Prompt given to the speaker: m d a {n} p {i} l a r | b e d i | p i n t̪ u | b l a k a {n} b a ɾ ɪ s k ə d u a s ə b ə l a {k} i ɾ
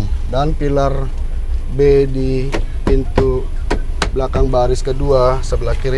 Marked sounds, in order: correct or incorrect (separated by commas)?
correct, correct, incorrect, correct